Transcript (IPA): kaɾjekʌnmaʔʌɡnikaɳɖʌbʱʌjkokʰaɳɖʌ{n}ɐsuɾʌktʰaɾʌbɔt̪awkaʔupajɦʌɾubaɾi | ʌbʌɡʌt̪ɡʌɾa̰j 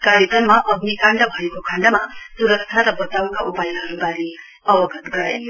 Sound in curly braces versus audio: incorrect: m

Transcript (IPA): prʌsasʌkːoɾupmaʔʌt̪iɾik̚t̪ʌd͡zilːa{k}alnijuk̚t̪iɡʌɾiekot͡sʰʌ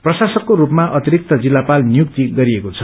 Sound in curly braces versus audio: incorrect: p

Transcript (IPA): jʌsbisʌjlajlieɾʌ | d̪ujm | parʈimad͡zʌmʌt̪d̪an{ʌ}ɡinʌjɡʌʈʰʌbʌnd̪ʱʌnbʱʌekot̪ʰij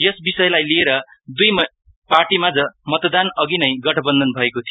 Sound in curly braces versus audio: correct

